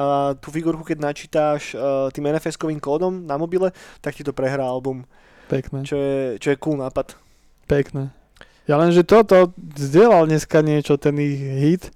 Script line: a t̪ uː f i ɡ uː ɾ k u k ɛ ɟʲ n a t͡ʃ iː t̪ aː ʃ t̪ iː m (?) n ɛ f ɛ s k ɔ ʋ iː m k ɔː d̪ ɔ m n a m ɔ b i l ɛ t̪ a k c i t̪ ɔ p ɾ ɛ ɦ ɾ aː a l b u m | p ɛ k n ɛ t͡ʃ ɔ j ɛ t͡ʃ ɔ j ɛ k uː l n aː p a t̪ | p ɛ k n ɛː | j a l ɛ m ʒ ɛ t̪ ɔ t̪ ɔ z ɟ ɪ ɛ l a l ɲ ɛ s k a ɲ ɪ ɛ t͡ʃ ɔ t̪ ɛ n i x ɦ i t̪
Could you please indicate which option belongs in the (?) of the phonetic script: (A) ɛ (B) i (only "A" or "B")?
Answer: A